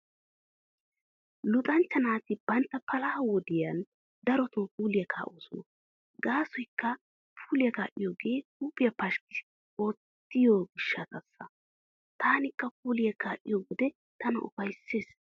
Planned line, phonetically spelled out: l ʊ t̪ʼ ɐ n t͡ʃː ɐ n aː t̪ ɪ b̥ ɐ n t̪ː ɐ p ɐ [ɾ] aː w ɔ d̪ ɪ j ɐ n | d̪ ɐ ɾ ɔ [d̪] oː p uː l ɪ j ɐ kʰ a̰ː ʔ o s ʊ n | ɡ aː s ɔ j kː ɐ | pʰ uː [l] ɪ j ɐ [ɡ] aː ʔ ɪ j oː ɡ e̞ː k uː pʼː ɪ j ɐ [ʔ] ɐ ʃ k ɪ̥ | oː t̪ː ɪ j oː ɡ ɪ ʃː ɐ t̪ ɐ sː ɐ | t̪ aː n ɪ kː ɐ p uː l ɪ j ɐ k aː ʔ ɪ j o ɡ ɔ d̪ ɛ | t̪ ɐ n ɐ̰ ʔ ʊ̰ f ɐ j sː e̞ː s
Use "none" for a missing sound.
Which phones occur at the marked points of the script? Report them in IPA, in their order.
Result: l, t̪, l, k, p

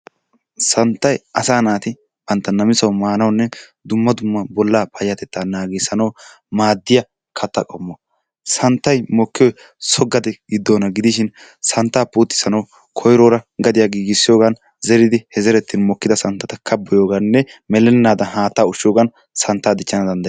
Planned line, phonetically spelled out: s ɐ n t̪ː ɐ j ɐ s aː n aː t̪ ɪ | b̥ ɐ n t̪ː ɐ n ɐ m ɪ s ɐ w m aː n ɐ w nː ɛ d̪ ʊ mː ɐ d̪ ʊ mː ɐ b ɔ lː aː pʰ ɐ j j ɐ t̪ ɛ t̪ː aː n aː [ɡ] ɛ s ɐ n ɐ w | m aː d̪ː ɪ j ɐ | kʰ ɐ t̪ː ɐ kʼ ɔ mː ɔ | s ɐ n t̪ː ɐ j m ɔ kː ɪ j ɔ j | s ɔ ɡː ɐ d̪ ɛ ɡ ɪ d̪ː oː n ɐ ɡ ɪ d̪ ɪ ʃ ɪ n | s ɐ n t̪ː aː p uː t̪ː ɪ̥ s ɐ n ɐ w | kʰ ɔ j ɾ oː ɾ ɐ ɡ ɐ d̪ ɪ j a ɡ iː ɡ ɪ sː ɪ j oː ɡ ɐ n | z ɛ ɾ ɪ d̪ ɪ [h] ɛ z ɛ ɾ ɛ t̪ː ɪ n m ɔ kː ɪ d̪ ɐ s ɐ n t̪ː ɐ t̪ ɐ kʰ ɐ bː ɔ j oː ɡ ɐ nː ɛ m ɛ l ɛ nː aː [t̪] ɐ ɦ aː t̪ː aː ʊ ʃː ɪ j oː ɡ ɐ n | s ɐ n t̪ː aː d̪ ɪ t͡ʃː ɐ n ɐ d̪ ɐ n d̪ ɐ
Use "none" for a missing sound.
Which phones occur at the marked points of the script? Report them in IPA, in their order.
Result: ɡ, h, d̪

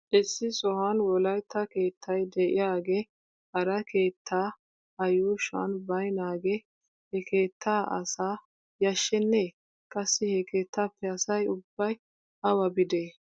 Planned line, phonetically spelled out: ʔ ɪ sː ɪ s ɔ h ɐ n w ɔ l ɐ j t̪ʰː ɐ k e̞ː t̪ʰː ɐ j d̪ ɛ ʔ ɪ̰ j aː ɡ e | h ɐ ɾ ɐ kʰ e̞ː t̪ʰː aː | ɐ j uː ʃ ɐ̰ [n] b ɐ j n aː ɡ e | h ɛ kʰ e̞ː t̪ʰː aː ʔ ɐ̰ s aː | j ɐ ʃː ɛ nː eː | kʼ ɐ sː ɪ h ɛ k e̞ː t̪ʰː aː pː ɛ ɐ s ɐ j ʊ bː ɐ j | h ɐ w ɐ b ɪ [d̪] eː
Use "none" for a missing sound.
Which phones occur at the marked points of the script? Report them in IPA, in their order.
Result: n, d̪

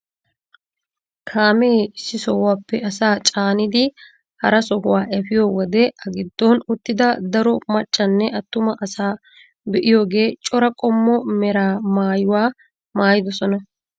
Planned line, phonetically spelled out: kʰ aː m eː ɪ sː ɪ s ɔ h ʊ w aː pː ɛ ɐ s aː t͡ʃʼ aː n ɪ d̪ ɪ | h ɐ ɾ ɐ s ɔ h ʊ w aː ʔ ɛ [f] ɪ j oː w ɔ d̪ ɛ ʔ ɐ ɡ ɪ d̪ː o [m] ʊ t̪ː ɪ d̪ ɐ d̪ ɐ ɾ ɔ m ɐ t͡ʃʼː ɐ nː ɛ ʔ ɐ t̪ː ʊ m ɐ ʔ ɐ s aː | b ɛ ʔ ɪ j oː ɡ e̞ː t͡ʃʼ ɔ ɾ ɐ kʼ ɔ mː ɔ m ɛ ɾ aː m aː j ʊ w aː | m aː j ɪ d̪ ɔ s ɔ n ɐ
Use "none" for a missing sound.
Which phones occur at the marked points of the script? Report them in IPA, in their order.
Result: f, n

